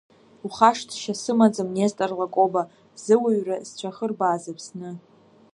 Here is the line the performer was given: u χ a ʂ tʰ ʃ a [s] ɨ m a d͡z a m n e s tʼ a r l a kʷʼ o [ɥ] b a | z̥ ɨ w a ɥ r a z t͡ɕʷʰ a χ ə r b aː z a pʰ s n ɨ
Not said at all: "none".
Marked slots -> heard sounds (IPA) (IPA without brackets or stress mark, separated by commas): s, none